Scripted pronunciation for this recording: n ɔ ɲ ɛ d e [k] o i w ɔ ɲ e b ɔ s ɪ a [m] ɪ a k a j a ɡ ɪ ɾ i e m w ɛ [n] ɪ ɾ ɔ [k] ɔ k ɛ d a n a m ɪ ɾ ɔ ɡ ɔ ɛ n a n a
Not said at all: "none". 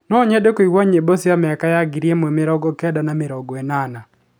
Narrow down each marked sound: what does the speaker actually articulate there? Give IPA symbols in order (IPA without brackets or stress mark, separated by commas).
k, m, m, ɡ